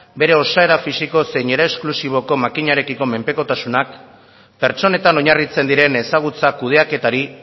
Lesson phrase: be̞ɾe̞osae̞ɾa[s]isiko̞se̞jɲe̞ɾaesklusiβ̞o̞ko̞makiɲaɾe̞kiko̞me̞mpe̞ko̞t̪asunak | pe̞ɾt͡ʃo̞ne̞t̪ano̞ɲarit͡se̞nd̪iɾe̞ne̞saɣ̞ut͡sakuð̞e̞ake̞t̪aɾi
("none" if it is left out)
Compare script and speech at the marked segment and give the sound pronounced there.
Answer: f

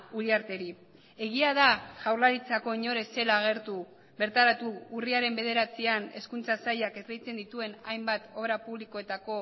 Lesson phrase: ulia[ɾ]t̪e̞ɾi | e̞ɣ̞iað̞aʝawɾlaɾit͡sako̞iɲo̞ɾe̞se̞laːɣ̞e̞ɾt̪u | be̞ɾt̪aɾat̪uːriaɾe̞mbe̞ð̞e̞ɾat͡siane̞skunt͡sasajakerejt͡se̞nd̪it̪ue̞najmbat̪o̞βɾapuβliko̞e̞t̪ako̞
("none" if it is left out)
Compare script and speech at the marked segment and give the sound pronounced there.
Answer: ɾ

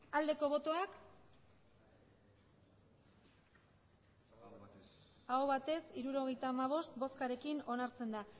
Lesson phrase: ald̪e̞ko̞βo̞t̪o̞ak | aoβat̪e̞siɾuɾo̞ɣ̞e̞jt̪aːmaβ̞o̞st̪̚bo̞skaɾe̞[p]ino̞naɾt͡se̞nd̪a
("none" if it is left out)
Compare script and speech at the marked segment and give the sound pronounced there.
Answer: k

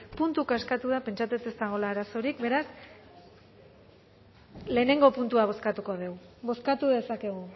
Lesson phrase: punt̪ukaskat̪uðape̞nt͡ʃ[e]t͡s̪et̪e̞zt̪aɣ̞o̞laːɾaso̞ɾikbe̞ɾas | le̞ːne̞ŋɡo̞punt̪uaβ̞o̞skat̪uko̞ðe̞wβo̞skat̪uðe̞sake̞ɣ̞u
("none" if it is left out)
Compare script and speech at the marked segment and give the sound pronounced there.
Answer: a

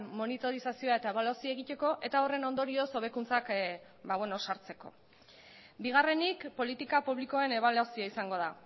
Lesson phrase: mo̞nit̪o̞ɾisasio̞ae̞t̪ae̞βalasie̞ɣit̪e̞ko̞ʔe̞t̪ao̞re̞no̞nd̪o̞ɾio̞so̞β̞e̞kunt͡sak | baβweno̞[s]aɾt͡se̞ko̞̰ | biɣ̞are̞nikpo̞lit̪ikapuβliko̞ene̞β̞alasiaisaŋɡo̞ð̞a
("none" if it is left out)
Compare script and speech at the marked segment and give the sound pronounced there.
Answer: s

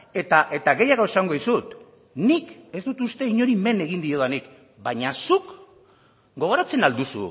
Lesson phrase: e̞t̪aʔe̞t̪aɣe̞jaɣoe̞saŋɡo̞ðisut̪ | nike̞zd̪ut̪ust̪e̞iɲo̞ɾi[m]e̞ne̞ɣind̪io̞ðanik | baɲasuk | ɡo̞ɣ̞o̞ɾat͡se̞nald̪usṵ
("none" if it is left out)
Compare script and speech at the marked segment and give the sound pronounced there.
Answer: m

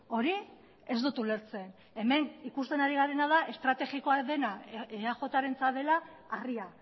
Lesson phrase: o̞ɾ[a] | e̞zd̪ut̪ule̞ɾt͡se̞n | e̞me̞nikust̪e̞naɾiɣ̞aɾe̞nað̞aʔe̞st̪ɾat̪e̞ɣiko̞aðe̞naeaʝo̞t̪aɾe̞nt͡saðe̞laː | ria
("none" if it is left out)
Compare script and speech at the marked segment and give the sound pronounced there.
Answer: i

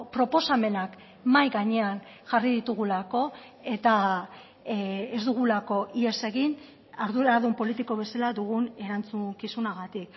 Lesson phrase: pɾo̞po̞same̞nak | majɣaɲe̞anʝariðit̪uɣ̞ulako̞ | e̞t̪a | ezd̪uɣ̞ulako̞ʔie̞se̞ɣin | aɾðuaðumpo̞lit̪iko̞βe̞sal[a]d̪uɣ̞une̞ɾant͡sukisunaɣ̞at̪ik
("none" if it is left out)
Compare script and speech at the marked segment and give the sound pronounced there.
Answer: a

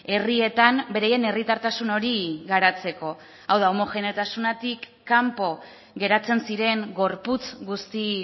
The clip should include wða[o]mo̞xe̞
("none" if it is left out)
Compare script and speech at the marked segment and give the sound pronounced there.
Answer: o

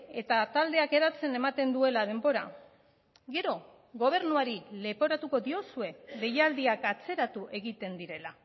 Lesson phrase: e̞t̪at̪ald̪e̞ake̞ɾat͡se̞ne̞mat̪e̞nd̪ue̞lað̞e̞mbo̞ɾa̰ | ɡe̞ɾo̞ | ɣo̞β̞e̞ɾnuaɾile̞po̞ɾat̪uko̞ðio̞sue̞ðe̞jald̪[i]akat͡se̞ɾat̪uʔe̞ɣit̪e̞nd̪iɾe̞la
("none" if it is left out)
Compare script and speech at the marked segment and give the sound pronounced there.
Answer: i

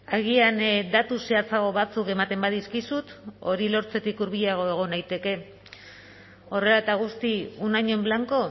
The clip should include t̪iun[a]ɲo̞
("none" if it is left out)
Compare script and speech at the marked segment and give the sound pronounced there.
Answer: a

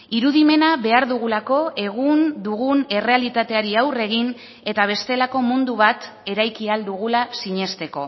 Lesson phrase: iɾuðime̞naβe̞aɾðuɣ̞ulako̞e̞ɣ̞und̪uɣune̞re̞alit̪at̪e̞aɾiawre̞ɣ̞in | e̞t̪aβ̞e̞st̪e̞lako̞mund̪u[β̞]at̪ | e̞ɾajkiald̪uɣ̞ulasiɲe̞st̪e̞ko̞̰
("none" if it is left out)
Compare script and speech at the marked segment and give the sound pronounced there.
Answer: β̞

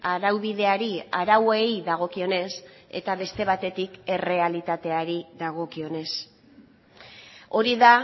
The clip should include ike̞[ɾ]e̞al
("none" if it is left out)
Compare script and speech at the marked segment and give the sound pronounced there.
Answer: r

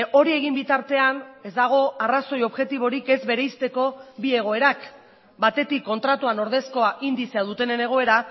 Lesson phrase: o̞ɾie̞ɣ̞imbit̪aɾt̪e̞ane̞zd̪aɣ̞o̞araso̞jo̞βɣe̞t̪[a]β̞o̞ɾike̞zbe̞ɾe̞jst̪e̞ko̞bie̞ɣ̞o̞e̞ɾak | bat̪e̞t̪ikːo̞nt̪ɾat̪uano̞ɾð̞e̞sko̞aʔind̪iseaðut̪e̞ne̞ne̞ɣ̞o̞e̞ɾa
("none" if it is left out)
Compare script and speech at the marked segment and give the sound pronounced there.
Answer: i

